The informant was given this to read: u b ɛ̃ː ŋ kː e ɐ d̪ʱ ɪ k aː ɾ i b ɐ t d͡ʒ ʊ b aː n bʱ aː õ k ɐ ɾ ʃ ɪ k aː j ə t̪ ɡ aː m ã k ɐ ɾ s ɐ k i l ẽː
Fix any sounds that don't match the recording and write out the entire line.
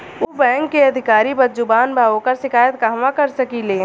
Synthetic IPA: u b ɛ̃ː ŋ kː e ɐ d̪ʱ ɪ k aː ɾ i b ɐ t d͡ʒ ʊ b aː n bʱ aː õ k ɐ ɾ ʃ ɪ k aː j ə t̪ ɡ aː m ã k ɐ ɾ s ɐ k i l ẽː